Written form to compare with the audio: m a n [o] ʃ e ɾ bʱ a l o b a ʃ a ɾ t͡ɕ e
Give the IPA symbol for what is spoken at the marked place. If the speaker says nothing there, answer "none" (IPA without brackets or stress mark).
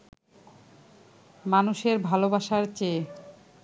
u